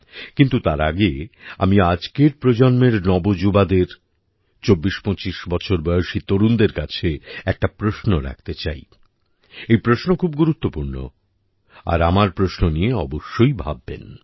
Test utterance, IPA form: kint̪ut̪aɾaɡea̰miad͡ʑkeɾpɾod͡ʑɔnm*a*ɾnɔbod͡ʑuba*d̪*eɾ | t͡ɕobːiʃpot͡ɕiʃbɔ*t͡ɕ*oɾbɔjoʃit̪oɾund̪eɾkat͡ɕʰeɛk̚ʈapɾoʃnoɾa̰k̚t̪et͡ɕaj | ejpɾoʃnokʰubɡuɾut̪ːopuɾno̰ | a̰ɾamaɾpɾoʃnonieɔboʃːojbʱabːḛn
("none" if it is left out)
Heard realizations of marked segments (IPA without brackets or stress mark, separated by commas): e, d̪, t͡ɕʰ